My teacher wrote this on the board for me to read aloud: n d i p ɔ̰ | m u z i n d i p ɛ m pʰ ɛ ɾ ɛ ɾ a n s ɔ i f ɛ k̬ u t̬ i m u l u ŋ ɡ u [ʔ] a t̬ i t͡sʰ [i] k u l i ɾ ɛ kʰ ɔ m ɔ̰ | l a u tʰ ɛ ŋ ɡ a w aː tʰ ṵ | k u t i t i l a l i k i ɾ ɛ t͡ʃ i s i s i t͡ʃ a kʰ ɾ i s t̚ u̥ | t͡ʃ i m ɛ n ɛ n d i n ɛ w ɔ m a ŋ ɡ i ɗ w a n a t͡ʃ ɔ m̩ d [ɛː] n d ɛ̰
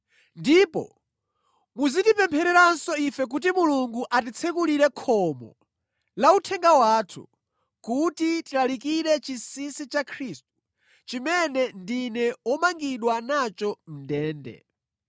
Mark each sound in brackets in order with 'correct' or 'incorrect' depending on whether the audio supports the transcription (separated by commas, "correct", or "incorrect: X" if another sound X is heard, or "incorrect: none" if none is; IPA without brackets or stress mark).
correct, incorrect: ɛ, correct